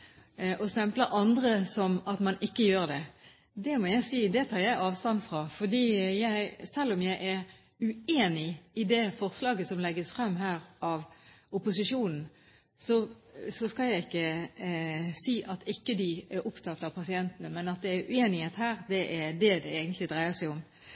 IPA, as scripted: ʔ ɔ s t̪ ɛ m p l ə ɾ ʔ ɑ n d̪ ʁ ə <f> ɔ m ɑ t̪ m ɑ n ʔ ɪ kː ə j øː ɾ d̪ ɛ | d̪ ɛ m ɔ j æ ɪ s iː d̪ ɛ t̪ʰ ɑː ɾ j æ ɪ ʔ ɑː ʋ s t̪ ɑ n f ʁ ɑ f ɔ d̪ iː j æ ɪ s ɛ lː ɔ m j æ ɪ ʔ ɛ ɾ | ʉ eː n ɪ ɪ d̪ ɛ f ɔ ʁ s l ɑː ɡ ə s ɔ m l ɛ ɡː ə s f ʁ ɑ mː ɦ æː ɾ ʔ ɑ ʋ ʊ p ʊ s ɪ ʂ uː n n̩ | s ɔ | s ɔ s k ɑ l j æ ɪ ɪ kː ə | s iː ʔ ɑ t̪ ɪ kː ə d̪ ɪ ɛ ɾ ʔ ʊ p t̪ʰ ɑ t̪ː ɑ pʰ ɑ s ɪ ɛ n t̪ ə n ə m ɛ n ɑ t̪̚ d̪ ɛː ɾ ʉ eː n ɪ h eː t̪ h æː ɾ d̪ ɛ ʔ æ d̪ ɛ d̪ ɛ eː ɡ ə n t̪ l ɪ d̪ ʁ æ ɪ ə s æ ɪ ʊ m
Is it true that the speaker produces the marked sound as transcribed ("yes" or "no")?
no